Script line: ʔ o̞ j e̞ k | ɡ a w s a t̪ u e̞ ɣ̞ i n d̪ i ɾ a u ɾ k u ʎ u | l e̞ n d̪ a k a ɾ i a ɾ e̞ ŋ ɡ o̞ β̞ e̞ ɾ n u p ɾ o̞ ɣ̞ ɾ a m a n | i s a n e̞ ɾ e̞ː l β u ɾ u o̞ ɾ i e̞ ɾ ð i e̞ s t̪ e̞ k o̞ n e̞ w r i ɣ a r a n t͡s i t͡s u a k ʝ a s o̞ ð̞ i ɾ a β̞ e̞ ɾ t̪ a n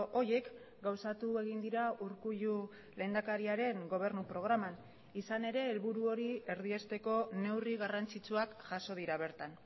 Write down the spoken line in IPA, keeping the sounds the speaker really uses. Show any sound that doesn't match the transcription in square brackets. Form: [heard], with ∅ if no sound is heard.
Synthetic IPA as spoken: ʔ o̞ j e̞ k | ɡ a w s a t̪ u e̞ ɣ̞ i n d̪ i ɾ a u ɾ k u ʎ u | l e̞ n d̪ a k a ɾ i a ɾ e̞ ŋ ɡ o̞ β̞ e̞ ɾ n u p ɾ o̞ ɣ̞ ɾ a m a n | i s a n e̞ ɾ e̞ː l β u ɾ u o̞ ɾ i e̞ ɾ ð i e̞ s t̪ e̞ k o̞ n e̞ w r i ɣ a r a n t͡s i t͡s u a k ʝ a s o̞ ð̞ i ɾ a β̞ e̞ ɾ t̪ a n